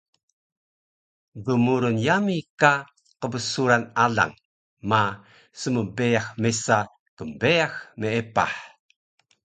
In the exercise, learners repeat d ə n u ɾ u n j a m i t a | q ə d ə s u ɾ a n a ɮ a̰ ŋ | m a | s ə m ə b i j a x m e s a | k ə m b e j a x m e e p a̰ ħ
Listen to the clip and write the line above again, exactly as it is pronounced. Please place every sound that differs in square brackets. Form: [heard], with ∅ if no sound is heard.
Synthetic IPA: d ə [m] u ɾ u n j a m i [k] a | q ə [b] ə s u ɾ a n a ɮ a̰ ŋ | m a | s ə m ə b [e] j a x m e s a | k ə m b e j a x m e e p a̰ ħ